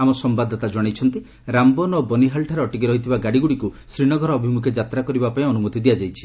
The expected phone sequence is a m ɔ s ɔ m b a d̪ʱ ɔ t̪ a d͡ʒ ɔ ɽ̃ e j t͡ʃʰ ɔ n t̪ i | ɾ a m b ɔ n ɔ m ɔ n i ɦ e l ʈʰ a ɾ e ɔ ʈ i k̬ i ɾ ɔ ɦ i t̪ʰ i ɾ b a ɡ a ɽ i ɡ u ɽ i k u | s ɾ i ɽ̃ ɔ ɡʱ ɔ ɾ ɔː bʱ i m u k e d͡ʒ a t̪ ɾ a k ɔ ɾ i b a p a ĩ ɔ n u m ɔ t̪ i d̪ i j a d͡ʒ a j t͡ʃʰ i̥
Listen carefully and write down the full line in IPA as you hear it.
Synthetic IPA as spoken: a m ɔ s ɔ m b a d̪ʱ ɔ t̪ a d͡ʒ ɔ ɽ̃ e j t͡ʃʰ ɔ n t̪ i | ɾ a m b ɔ n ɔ b ɔ n i ɦ a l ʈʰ a ɾ e ɔ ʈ i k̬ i ɾ ɔ ɦ i t̪ʰ i b a ɡ a ɽ i ɡ u ɽ i k u | s ɾ i ɽ̃ ɔ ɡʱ ɔ ɾ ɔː bʱ i m u kʰ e d͡ʒ a t̪ ɾ a k ɔ ɾ i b a p a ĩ ɔ n u m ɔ t̪ i d̪ i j a d͡ʒ a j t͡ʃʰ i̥